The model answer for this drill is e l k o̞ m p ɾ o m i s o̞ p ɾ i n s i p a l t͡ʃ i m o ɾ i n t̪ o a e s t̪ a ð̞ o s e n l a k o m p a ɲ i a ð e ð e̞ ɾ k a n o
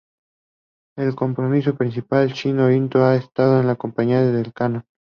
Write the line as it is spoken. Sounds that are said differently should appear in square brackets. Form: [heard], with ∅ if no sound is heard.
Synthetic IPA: e l k o̞ m p ɾ o m i s o̞ p ɾ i n s i p a l t͡ʃ i [n] o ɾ i n t̪ o a e s t̪ a ð̞ o [∅] e n l a k o m p a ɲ i a ð e ð e̞ [l] k a n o